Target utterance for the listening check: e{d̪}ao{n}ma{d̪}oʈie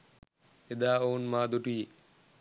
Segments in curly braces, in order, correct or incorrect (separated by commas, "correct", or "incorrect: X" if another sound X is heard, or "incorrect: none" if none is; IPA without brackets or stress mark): correct, correct, correct